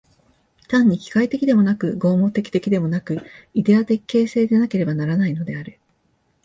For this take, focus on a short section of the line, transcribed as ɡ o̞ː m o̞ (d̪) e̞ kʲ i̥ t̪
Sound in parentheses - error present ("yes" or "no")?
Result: yes